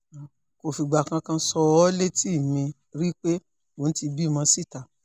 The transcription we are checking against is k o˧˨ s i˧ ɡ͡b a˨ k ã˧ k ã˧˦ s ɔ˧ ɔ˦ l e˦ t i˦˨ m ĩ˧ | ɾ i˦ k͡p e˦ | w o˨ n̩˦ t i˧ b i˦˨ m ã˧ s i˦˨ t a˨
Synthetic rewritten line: k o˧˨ f i˧ ɡ͡b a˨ k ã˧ k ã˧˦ s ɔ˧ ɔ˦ l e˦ t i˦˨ m ĩ˧ | ɾ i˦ k͡p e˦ | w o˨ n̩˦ t i˧ b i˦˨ m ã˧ s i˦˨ t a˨